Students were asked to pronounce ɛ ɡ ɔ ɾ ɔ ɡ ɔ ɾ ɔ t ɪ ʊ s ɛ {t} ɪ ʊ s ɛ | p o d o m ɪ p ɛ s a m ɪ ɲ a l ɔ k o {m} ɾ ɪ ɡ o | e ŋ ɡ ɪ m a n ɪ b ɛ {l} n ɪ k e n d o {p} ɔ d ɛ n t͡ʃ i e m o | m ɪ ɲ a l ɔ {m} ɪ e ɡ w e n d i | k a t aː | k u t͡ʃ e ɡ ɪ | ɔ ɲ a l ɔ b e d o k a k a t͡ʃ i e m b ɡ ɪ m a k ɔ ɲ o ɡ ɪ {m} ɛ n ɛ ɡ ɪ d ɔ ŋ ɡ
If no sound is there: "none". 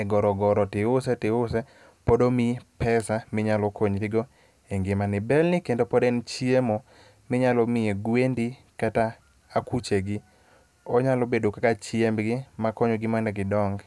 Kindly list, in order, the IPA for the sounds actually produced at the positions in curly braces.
t, ɲ, l, p, m, m

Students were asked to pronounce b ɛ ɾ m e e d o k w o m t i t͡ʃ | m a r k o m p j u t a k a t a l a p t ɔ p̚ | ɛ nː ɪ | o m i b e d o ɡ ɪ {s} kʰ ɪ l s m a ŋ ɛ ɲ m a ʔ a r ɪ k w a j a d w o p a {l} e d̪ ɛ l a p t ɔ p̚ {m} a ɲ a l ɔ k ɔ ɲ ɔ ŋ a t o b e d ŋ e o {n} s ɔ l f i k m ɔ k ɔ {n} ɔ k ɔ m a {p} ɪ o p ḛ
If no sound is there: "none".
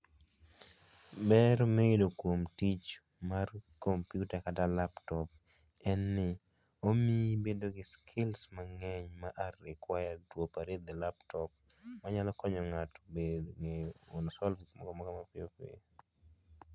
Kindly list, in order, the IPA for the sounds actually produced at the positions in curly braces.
s, ɾ, m, n, m, p

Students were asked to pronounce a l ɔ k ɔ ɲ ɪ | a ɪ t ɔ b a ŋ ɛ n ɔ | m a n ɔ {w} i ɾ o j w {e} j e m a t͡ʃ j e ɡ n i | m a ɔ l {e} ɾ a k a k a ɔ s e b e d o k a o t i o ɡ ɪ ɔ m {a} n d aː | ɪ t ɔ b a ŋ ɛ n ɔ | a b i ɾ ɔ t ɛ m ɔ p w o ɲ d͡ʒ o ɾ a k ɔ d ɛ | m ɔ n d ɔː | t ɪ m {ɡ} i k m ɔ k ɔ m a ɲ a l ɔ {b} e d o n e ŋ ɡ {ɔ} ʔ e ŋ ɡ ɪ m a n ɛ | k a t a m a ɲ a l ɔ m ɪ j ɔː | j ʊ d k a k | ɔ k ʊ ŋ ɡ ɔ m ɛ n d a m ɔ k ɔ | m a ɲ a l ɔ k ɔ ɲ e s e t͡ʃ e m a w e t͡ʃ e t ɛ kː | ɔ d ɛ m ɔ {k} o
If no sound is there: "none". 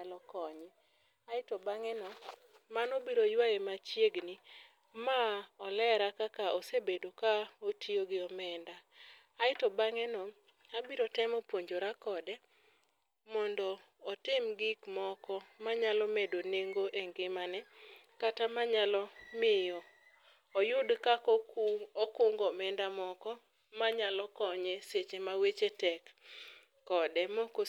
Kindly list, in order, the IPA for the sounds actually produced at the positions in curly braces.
b, a, ɛ, ɛ, ɡ, m, o, k

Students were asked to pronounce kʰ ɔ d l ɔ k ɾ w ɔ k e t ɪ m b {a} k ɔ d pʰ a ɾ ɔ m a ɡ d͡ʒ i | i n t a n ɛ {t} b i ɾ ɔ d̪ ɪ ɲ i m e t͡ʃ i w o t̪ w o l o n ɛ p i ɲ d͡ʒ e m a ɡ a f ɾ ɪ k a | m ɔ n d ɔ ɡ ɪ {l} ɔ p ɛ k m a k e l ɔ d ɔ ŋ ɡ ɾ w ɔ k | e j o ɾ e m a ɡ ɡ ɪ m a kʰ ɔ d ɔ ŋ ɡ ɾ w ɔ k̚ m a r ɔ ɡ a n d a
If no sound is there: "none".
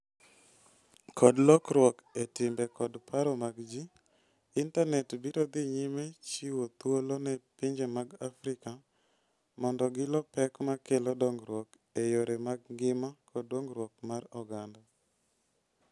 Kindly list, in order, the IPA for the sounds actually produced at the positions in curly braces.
ɛ, t, l

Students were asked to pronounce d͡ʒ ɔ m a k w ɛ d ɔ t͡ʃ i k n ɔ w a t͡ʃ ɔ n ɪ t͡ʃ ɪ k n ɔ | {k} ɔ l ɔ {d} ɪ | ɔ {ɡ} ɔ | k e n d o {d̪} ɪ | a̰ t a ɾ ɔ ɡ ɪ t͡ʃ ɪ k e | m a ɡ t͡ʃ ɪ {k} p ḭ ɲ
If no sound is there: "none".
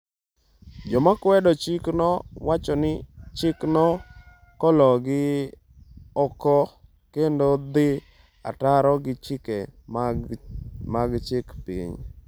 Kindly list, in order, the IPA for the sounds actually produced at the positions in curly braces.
k, ɡ, k, d̪, k

